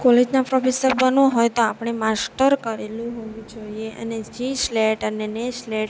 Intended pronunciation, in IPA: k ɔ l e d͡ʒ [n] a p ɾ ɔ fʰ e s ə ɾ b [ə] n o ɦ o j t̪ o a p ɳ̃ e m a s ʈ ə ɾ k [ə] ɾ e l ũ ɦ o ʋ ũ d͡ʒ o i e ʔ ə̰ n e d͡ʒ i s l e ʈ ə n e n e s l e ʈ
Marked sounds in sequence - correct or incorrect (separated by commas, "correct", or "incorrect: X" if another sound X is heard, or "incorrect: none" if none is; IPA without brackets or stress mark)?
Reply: correct, correct, correct